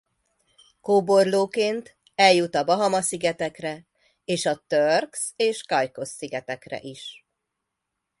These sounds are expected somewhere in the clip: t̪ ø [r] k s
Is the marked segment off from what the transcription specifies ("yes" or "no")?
no